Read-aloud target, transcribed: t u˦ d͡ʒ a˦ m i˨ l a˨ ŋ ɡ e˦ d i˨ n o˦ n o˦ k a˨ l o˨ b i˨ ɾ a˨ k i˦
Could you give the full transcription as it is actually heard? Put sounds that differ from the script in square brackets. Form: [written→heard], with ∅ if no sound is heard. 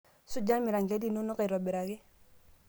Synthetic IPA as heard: [t→s] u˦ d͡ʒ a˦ m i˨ [l→ɾ] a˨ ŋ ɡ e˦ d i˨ n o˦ n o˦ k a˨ [l→ɾ] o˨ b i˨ ɾ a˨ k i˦

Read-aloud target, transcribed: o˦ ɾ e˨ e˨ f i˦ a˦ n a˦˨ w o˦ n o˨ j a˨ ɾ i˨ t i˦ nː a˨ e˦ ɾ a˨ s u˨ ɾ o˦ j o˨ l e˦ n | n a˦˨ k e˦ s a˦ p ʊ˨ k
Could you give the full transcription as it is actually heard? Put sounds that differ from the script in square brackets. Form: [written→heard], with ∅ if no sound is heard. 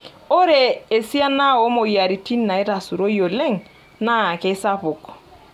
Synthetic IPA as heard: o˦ ɾ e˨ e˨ [f→s] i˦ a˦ n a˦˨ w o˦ [n→m] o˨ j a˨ ɾ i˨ t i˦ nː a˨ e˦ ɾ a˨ s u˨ ɾ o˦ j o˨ l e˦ [n→ŋ] | n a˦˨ k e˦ s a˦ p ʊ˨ k

